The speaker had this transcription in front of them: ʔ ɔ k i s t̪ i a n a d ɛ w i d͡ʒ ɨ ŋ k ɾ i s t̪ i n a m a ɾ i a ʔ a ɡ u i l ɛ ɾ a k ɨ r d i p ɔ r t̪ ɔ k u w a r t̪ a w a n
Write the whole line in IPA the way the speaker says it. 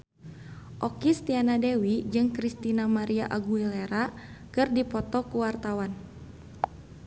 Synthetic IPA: ʔ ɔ k i s t̪ i a n a d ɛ w i d͡ʒ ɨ ŋ k ɾ i s t̪ i n a m a ɾ i a ʔ a ɡ u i l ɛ ɾ a k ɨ r d i p ɔ t̪ ɔ k u w a r t̪ a w a n